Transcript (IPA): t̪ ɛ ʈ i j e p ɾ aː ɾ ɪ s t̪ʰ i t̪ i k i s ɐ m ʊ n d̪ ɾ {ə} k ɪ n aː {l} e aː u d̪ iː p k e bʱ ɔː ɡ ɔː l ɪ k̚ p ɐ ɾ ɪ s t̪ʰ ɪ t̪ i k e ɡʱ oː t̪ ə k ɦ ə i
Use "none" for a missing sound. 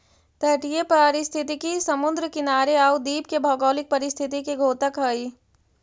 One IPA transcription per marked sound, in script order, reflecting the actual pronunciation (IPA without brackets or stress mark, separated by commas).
ə, ɾ